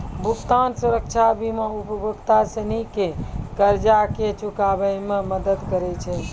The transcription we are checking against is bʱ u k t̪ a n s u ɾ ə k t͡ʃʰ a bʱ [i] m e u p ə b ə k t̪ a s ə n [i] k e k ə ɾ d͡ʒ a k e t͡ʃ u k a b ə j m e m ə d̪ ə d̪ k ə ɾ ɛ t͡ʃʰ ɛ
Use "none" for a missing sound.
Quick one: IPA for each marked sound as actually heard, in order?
i, i

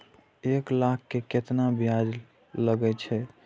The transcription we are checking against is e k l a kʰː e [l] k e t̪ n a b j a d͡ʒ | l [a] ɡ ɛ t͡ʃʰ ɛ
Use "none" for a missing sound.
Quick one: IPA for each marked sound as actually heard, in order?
none, ə

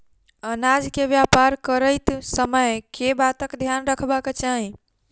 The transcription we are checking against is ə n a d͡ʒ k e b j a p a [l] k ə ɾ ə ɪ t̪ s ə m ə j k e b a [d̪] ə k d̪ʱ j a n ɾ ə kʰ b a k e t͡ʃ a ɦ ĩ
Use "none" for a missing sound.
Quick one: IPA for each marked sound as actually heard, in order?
ɾ, t̪

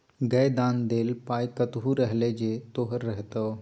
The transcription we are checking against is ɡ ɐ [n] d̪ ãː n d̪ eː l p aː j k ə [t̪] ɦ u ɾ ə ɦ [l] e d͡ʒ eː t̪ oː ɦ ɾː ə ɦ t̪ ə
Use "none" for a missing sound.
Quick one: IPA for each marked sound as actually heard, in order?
none, t̪, l

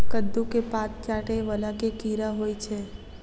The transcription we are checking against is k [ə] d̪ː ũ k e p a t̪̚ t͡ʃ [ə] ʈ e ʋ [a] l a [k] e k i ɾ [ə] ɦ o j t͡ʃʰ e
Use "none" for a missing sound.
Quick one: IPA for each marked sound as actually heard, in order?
ə, a, ə, k, a

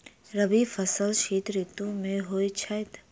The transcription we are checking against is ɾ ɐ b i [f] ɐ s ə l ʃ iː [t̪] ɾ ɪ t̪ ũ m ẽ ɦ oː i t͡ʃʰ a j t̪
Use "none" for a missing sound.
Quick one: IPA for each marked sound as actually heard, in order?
f, t̪

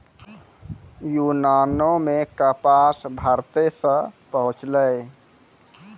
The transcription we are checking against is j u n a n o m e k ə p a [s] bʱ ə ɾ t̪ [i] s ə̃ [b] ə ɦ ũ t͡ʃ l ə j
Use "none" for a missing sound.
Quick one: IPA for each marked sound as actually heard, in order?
s, e, p

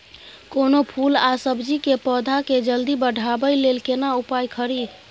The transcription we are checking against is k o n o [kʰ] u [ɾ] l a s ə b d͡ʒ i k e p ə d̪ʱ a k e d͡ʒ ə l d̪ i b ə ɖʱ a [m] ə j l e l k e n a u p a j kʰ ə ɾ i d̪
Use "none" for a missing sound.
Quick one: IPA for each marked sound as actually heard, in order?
pʰ, none, b

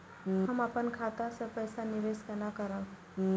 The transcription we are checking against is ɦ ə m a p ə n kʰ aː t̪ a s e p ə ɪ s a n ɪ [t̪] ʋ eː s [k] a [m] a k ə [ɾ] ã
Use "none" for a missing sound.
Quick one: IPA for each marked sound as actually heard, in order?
none, k, n, ɾ

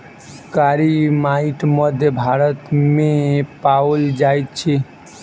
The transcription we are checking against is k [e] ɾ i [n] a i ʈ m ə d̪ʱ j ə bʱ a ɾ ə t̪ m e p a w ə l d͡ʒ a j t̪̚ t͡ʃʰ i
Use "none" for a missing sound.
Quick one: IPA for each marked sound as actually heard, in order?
a, m

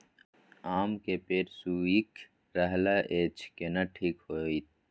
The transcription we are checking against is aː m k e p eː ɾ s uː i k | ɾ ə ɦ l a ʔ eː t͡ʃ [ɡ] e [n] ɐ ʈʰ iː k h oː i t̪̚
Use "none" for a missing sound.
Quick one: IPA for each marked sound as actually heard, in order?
k, n

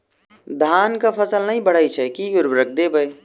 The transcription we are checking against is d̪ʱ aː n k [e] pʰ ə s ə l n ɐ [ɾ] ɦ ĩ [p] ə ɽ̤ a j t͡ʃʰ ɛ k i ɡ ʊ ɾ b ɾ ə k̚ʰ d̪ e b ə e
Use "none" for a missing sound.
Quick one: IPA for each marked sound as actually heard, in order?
a, none, b

